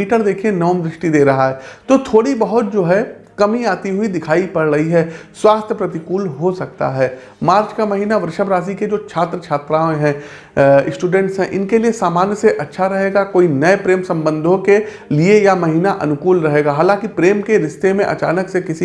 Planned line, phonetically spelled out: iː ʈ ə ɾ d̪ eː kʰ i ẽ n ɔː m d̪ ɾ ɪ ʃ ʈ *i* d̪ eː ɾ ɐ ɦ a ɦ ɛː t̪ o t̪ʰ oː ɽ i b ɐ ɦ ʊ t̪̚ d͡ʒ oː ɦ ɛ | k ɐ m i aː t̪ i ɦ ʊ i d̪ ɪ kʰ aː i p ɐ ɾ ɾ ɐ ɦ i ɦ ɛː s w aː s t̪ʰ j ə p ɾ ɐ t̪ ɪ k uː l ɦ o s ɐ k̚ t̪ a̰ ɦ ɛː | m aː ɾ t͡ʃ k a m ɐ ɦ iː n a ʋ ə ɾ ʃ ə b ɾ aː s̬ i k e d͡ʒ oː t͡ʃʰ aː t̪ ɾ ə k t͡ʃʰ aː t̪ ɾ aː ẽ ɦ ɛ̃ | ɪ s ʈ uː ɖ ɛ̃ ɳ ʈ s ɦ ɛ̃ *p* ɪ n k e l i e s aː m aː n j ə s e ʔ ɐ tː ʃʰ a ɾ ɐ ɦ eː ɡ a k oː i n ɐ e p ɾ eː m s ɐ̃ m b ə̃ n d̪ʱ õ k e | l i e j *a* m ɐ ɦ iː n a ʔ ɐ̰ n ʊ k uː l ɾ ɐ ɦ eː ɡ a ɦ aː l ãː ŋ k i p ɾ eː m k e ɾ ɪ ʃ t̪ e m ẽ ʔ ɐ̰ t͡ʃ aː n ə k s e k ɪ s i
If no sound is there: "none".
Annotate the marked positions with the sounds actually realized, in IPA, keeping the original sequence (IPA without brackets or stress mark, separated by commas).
i, ʔ, a